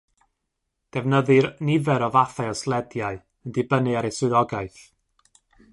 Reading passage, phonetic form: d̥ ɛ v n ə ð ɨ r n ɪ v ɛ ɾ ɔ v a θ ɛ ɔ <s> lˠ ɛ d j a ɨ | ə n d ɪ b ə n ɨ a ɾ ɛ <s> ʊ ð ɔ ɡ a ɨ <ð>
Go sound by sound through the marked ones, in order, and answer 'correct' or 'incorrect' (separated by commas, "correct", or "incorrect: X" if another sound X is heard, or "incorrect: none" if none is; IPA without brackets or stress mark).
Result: correct, correct, incorrect: θ